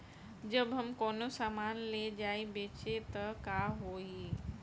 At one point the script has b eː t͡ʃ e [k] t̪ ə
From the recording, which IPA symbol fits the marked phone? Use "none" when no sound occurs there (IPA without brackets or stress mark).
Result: none